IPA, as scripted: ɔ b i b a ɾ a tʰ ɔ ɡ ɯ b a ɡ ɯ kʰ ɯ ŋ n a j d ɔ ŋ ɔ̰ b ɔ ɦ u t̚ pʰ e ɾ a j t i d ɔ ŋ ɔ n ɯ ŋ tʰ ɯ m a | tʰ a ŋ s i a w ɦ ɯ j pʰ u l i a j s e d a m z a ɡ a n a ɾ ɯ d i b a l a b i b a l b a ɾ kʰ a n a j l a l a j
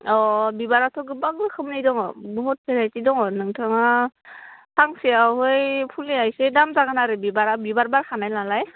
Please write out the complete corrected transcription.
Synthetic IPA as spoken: ɔ b i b a ɾ a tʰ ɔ ɡ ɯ b a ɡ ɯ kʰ ɯ m n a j d ɔ ŋ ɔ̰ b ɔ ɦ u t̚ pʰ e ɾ a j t i d ɔ ŋ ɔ n ɯ ŋ tʰ ɯ ŋ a | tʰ a ŋ s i a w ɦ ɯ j pʰ u l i a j s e d a m z a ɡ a n a ɾ ɯ b i b a ɾ a b i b a ɾ b a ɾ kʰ a n a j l a l a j